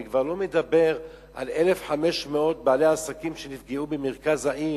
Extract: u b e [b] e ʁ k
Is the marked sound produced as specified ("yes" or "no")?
no